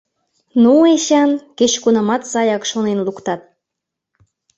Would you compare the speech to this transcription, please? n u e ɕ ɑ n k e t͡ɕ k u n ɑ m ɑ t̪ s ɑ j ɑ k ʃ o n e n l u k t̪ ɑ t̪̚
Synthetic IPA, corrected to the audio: n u e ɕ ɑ n k e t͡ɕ k u n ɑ m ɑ t̪ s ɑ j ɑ k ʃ o n e n l u k t̪ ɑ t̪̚

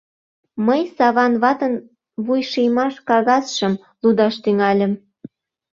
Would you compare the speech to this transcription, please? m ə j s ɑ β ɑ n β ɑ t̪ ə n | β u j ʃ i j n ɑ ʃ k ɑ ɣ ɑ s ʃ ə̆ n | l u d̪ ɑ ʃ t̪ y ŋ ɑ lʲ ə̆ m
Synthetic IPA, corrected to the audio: m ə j s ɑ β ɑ n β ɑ t̪ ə n | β u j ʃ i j m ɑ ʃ k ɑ ɣ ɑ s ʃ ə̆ m | l u d̪ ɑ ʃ t̪ y ŋ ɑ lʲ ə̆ m

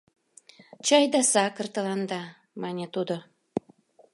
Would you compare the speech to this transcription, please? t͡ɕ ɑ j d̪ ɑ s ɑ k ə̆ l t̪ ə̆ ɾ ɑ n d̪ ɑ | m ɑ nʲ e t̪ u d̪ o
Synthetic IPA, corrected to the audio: t͡ɕ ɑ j d̪ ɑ s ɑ k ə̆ r t̪ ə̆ l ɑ n d̪ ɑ | m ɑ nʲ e t̪ u d̪ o

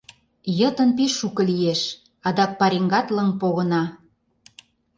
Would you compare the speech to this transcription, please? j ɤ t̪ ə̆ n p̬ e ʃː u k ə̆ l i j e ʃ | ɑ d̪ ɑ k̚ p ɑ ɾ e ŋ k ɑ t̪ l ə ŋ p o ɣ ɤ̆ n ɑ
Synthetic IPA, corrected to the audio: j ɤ t̪ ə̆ n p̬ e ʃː u k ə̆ l i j e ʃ | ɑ d̪ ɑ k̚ p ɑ ɾ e ŋ ɡ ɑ t̪ l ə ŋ p o ɣ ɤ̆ n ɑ

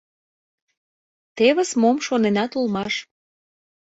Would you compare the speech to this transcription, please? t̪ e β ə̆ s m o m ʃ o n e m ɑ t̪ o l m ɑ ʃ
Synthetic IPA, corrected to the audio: t̪ e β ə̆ s m o m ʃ o n e n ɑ t̪ u l m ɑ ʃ

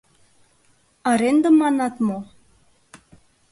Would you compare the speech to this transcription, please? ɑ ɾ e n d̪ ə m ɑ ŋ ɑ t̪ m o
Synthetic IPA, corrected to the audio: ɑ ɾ e n d̪ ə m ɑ n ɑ t̪ m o

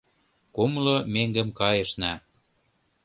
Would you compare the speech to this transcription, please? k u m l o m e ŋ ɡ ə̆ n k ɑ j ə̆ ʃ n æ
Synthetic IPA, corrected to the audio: k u m l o m e ŋ ɡ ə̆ m k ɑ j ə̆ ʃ n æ

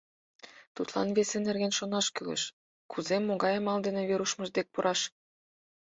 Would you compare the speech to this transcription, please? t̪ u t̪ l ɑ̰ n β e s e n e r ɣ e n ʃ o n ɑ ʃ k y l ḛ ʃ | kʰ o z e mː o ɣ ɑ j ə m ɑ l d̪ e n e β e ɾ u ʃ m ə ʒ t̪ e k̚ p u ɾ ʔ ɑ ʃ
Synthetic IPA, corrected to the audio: t̪ u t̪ l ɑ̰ n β e s e n e r ɣ e n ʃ o n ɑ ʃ k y l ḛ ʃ | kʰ u z e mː o ɣ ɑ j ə m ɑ l d̪ e n e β e ɾ u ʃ m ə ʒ d̪ e k̚ p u ɾ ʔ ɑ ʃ

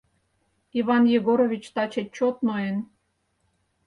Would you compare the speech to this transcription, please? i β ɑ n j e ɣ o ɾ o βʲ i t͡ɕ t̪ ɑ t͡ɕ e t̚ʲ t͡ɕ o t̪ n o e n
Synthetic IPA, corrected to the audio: i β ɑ n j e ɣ o ɾ o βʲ i t͡ɕ t̪ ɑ t͡ɕ e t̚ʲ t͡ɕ o t̪ n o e n

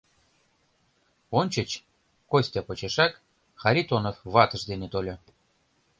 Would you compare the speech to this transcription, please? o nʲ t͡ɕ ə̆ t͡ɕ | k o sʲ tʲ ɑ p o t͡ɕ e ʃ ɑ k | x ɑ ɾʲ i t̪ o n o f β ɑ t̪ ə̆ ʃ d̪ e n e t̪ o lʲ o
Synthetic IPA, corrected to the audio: o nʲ t͡ɕ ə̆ t͡ɕ | k o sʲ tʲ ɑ p o t͡ɕ e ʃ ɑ k | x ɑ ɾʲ i t̪ o n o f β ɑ t̪ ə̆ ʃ d̪ e n e t̪ o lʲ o

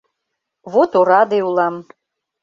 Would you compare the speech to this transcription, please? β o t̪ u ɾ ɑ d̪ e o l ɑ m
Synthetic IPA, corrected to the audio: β o t̪ o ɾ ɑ d̪ e u l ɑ m

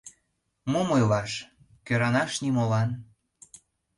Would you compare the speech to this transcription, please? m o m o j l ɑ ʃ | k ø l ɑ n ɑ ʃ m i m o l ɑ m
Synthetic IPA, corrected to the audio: m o m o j l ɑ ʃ | k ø ɾ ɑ n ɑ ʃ n i m o l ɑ n

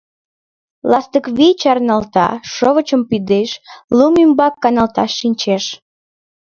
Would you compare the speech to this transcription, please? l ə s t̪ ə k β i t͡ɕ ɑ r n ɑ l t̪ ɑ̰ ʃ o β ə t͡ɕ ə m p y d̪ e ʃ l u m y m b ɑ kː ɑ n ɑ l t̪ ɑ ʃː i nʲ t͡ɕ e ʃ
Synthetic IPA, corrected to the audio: l ɑ s t̪ ə k β i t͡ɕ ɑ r n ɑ l t̪ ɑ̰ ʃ o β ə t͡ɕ ə m p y d̪ e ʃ l u m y m b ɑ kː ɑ n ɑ l t̪ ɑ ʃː i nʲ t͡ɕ e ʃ

